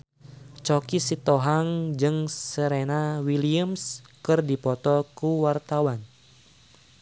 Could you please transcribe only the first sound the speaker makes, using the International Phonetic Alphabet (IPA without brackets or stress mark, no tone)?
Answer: t͡ʃ